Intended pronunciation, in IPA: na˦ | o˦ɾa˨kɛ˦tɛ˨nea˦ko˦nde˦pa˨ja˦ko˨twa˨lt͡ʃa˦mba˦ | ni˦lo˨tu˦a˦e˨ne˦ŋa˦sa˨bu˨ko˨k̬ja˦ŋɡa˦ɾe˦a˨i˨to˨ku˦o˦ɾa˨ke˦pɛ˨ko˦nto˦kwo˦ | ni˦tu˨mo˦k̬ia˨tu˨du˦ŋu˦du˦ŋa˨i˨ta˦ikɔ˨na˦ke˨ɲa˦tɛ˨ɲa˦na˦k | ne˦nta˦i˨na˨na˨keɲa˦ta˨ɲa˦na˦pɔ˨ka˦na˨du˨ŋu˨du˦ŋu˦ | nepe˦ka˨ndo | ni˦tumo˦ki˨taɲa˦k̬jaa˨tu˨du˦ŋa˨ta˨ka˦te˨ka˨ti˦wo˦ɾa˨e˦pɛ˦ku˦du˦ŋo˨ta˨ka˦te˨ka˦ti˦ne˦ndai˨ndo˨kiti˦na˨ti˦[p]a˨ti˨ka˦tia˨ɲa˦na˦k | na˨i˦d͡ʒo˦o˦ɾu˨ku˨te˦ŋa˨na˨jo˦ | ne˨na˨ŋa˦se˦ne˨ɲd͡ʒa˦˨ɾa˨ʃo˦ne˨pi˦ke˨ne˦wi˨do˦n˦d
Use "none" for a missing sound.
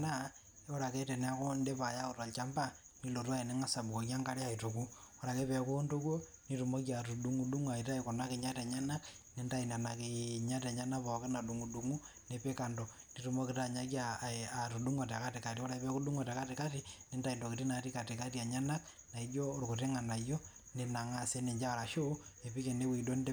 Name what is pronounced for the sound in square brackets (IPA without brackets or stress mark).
k